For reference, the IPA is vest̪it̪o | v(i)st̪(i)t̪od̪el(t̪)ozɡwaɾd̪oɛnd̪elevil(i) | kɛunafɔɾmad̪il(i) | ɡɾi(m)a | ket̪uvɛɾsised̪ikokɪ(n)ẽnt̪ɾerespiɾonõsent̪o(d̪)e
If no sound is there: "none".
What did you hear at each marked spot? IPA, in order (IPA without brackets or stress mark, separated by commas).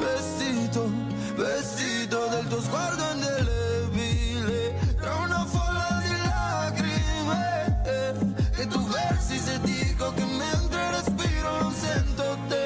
e, i, t̪, e, a, m, m, t̪